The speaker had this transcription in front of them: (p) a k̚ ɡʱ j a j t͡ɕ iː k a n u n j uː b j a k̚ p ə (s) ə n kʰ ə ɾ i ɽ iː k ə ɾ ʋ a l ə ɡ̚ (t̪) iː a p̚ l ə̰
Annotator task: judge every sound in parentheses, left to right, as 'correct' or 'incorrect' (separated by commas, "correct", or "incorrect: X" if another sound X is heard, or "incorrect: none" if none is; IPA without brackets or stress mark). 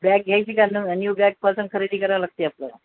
incorrect: b, correct, correct